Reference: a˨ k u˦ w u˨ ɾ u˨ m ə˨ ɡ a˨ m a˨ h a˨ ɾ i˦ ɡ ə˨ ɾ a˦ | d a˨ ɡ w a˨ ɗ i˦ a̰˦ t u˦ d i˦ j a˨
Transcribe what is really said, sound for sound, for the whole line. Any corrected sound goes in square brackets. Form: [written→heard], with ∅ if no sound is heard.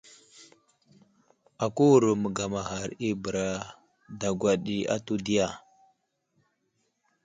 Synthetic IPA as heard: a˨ k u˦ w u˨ ɾ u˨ m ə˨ ɡ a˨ m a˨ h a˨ ɾ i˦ [ɡ→b] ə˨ ɾ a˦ | d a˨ ɡ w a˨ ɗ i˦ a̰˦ t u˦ d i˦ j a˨